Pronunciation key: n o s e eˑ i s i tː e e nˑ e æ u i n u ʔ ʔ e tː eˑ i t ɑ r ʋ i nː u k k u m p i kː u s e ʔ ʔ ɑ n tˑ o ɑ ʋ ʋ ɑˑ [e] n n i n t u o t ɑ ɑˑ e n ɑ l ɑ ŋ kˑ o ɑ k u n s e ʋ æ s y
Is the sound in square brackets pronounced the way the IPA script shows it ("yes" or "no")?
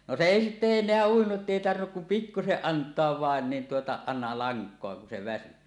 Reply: yes